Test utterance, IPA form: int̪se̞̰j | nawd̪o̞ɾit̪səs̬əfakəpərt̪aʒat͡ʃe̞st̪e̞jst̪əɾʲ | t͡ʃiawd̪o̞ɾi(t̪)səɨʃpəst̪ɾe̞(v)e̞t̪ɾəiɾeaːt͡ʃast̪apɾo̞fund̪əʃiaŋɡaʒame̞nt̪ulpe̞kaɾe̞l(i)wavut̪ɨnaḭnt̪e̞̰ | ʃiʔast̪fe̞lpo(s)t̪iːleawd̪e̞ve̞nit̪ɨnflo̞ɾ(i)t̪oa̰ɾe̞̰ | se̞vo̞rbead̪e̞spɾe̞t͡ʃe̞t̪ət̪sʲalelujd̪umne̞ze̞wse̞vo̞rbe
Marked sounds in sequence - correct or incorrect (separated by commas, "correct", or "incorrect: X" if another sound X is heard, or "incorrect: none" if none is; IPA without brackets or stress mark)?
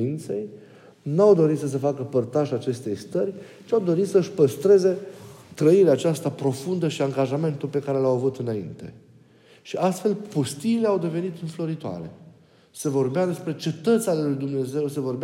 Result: correct, incorrect: z, incorrect: a, correct, correct